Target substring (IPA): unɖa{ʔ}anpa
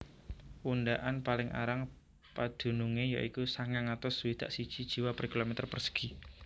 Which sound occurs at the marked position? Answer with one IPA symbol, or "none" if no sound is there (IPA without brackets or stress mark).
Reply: ʔ